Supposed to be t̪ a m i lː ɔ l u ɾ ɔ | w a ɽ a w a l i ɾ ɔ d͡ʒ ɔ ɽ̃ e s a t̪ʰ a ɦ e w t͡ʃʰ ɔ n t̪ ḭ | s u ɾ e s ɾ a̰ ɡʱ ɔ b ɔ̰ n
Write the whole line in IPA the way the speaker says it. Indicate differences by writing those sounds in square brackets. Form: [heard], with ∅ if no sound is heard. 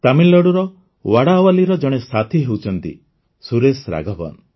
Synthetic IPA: t̪ a m i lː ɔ [ɽ] u ɾ ɔ | w a ɽ a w a l i ɾ ɔ d͡ʒ ɔ ɽ̃ e s a t̪ʰ [i] ɦ e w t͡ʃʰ ɔ n t̪ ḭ | s u ɾ e s ɾ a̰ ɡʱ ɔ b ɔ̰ n